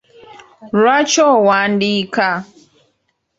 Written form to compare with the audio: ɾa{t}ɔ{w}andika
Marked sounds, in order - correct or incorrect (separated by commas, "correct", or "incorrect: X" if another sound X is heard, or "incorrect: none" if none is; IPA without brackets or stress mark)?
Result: incorrect: t͡ʃ, correct